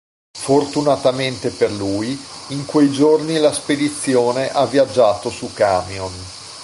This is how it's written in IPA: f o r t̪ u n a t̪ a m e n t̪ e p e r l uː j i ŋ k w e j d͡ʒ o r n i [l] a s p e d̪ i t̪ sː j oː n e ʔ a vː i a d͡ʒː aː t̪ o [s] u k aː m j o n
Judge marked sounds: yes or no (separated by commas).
yes, yes